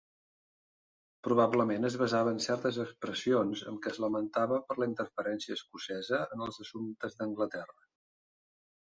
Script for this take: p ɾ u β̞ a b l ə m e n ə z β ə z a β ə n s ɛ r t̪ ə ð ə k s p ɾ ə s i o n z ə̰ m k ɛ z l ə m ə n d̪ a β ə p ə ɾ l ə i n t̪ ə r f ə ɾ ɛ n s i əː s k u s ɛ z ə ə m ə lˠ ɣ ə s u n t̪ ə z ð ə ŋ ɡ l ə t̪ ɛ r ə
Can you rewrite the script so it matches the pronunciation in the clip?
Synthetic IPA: p ɾ u β̞ a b l ə m e n ə z β ə z a β ə n s ɛ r t̪ ə z ə k s p ɾ ə s i o n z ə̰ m k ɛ z l ə m ə n t̪ a β ə p ə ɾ l ə i n t̪ ə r f ə ɾ ɛ n s i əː s k u s ɛ z ə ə n ə lˠ z ə s u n t̪ ə z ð ə ŋ ɡ l ə t̪ ɛ r ə